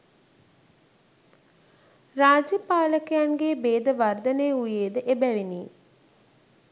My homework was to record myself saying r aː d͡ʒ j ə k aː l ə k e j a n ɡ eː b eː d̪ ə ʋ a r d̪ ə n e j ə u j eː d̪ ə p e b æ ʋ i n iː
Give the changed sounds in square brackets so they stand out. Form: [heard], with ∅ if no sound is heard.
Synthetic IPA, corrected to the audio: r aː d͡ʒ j ə [p] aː l ə k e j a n ɡ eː b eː d̪ ə ʋ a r d̪ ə n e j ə u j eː d̪ ə [ʔ] e b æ ʋ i n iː